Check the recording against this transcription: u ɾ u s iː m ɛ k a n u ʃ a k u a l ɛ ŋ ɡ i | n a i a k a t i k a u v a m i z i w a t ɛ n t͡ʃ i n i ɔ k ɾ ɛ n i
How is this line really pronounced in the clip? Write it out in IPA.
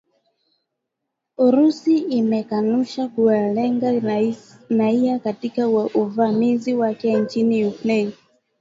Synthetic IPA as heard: u ɾ u s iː m ɛ k a n u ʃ a k u a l ɛ ŋ ɡ a | n a i a k a t i k a u v a m i z i w a k ɛ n t͡ʃ i n i u k ɾ ɛ n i